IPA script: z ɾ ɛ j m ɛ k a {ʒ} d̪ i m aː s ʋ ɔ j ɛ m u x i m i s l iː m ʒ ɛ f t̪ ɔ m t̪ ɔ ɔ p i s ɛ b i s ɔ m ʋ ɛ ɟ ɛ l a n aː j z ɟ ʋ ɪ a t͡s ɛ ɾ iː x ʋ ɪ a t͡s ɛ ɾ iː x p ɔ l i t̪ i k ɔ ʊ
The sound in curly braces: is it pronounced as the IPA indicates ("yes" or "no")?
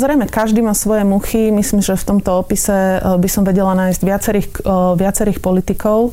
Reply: yes